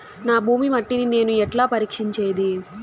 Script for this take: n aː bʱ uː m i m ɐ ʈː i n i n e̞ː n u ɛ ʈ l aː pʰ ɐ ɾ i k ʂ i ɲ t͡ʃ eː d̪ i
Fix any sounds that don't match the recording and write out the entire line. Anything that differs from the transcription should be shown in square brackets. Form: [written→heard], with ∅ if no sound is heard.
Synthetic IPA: n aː bʱ uː m i m ɐ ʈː i n i n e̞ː n u ɛ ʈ l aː [pʰ→p] ɐ ɾ [i→iː] k ʂ i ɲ t͡ʃ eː d̪ i